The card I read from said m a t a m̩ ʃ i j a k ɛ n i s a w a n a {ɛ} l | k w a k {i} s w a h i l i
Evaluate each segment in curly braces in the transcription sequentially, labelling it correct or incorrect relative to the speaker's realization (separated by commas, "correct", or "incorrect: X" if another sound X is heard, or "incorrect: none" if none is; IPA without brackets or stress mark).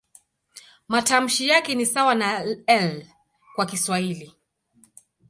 correct, correct